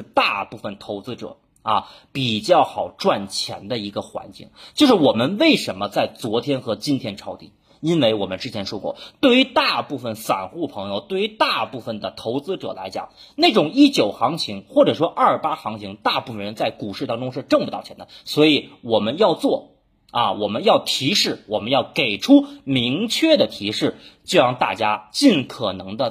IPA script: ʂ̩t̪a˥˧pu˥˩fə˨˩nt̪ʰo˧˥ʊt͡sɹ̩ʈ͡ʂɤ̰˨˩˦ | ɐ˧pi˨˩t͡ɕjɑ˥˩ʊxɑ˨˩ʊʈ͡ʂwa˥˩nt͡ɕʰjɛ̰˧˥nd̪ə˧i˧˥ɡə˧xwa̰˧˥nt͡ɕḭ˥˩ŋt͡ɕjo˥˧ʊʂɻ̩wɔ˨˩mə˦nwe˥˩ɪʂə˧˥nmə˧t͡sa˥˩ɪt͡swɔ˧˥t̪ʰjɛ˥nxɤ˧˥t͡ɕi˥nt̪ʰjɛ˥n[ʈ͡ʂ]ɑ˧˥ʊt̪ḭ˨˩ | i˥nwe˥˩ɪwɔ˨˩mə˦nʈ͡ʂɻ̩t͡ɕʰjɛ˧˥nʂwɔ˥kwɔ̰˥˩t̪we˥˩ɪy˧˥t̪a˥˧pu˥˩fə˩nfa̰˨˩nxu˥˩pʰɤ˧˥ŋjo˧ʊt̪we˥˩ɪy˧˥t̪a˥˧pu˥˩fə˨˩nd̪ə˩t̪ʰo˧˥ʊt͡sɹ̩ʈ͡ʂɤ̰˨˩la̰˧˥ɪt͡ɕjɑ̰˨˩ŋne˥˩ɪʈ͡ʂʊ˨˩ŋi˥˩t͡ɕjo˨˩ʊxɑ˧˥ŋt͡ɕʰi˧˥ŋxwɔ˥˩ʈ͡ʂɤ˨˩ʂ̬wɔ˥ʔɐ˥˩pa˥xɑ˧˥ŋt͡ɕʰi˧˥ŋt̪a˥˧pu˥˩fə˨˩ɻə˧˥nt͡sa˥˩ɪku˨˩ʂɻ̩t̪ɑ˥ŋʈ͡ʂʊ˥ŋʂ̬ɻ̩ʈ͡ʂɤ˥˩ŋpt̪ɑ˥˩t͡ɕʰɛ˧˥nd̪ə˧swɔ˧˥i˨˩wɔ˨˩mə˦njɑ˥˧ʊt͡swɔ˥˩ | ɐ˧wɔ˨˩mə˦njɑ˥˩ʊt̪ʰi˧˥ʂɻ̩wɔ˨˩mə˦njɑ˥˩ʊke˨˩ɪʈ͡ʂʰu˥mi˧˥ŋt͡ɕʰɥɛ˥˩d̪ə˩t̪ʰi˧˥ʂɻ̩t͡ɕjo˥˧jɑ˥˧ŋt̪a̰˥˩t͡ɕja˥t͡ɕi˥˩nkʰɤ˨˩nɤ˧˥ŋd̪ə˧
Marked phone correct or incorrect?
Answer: incorrect